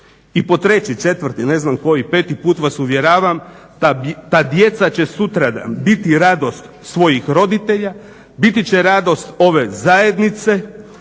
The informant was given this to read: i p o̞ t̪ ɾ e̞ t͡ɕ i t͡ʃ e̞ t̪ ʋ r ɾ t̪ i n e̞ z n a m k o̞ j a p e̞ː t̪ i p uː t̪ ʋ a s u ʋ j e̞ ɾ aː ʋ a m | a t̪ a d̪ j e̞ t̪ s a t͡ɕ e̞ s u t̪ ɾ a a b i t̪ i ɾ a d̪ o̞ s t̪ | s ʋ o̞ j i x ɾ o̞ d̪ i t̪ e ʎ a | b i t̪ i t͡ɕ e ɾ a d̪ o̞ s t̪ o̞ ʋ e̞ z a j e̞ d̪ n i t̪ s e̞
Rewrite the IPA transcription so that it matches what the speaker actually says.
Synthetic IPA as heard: i p o̞ t̪ ɾ e̞ t͡ɕ i t͡ʃ e̞ t̪ ʋ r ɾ t̪ i n e̞ z n a m k o̞ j i p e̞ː t̪ i p uː t̪ ʋ a s u ʋ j e̞ ɾ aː ʋ a m | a t̪ a d̪ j e̞ t̪ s a t͡ɕ e̞ s u t̪ ɾ a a b i t̪ i ɾ a d̪ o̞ s t̪ | s ʋ o̞ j i x ɾ o̞ d̪ i t̪ e ʎ a | b i t̪ i t͡ɕ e ɾ a d̪ o̞ s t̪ o̞ ʋ e̞ z a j e̞ d̪ n i t̪ s e̞